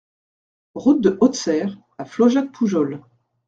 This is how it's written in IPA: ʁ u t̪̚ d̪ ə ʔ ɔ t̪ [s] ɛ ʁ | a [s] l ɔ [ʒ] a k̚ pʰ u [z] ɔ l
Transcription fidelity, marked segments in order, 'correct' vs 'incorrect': correct, incorrect: f, correct, incorrect: ʒ

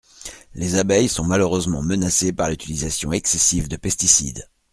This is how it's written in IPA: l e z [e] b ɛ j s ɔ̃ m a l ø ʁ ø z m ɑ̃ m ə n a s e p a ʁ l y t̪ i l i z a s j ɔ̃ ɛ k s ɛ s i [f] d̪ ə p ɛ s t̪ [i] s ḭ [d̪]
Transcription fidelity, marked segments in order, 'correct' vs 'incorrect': incorrect: a, incorrect: v, correct, correct

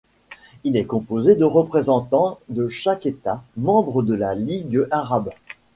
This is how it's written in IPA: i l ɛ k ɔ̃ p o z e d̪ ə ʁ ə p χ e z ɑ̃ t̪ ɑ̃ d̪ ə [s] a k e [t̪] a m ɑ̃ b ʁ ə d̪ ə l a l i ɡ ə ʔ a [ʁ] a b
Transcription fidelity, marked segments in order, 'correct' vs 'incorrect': incorrect: ʃ, correct, correct

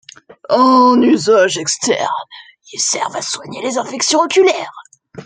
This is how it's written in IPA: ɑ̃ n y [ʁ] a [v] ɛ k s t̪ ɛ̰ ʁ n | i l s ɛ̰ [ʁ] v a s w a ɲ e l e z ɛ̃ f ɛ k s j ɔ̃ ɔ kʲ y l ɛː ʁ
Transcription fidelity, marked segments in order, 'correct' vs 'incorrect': incorrect: z, incorrect: ʒ, correct

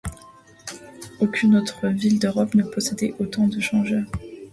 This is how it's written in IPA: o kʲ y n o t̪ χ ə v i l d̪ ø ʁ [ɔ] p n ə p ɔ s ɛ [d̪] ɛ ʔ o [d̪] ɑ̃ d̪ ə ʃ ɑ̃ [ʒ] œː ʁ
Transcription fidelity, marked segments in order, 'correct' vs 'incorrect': correct, correct, incorrect: t̪, correct

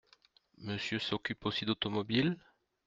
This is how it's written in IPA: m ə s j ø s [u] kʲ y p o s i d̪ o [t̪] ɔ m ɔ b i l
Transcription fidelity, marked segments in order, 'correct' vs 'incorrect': incorrect: ɔ, correct

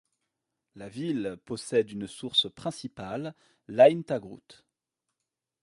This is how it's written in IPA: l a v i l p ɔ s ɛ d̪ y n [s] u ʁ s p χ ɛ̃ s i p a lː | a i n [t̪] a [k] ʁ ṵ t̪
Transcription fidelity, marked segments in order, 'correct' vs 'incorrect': correct, correct, incorrect: ɡ

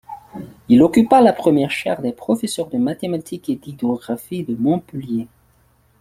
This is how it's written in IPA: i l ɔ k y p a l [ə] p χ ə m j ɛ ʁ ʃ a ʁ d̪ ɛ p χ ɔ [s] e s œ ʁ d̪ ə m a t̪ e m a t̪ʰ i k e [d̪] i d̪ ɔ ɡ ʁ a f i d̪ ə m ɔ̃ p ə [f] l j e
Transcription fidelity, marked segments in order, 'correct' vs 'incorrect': incorrect: a, incorrect: f, correct, incorrect: none

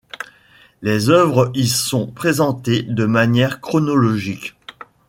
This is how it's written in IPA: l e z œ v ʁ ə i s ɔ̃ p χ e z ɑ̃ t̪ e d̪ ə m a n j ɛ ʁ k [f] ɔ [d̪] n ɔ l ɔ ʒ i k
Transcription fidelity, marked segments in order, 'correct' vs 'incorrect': incorrect: χ, incorrect: none

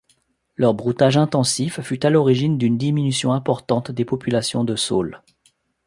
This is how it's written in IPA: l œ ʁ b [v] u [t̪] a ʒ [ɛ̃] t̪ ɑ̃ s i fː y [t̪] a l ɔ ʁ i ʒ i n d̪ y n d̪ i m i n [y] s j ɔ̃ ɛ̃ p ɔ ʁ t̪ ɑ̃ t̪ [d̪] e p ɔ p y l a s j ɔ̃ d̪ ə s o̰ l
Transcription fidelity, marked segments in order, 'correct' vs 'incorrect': incorrect: ʁ, correct, correct, correct, correct, correct

